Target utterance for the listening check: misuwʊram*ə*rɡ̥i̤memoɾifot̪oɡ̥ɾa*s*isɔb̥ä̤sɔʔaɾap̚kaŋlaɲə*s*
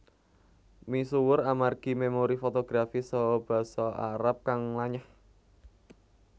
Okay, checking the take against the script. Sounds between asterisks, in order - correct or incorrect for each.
incorrect, incorrect, incorrect

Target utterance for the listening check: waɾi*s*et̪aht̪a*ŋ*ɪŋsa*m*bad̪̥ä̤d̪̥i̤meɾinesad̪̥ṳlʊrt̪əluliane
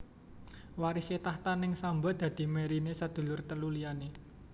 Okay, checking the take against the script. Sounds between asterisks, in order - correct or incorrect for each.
correct, incorrect, correct

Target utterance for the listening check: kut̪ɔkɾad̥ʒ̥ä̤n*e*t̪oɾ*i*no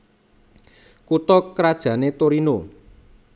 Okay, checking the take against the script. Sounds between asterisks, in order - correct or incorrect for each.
correct, correct

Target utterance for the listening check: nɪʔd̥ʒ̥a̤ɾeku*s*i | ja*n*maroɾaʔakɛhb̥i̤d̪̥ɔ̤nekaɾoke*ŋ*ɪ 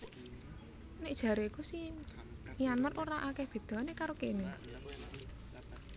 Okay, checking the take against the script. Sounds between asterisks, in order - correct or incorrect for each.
correct, correct, incorrect

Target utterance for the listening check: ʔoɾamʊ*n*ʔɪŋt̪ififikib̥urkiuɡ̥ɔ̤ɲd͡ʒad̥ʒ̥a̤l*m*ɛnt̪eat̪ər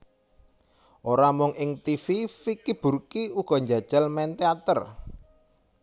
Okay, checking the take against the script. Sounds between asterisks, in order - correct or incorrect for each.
incorrect, correct

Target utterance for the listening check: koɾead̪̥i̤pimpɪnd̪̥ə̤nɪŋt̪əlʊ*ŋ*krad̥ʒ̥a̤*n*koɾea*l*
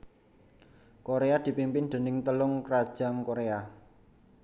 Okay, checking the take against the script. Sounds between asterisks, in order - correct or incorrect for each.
correct, incorrect, incorrect

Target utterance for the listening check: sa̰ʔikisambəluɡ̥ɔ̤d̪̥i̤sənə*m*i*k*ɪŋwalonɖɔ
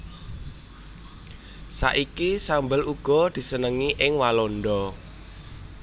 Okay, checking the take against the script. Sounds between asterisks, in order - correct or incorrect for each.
incorrect, incorrect

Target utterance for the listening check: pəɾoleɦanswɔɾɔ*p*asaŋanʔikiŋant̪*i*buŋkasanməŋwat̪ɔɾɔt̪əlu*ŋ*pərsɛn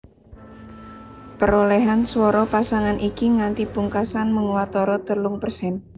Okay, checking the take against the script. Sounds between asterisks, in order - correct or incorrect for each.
correct, correct, correct

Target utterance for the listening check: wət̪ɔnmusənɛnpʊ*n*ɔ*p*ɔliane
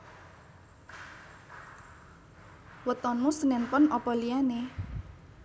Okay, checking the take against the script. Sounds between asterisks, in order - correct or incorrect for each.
correct, correct

